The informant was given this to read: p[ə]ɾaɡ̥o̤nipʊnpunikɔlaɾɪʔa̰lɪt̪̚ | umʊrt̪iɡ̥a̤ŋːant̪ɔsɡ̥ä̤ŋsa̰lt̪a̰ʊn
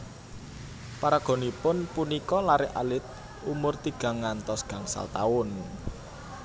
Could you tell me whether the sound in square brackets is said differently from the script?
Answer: yes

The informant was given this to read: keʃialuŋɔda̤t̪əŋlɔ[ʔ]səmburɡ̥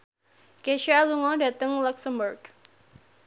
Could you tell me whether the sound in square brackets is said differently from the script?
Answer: yes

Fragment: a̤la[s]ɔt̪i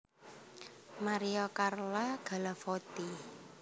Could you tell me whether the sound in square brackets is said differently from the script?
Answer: yes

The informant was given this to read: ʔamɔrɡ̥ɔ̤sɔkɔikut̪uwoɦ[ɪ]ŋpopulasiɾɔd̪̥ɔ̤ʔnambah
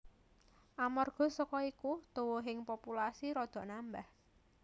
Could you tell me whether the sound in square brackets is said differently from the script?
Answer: no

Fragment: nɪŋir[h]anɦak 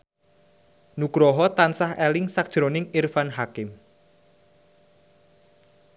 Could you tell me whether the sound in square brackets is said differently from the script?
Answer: yes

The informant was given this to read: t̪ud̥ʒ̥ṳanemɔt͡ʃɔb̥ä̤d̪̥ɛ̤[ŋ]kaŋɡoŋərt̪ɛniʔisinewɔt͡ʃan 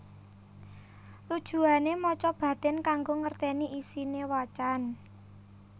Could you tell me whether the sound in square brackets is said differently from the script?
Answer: yes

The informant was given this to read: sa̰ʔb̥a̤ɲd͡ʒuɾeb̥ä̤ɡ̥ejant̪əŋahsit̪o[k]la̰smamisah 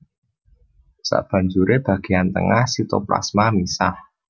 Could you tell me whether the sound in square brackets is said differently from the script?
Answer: yes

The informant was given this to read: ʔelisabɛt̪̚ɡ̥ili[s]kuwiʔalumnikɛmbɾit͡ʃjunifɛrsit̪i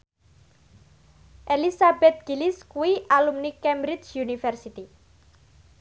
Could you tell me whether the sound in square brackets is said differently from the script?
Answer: no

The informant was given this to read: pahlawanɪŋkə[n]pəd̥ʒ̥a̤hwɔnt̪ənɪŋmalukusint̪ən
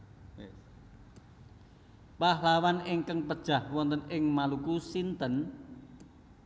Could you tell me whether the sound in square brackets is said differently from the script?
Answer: yes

